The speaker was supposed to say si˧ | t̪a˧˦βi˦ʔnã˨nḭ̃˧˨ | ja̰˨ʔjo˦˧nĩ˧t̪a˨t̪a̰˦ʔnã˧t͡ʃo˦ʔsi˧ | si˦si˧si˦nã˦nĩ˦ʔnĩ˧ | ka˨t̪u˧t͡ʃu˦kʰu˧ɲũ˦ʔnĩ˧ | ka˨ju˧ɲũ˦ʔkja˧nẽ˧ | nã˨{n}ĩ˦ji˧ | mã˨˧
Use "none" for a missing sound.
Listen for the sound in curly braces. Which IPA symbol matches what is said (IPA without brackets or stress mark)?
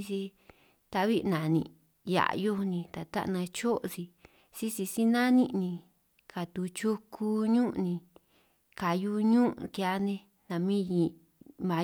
m